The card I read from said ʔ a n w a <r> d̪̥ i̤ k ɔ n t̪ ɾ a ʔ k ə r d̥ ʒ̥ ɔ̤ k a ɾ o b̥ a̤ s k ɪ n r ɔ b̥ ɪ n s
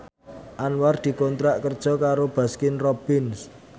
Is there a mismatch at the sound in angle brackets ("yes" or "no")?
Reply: no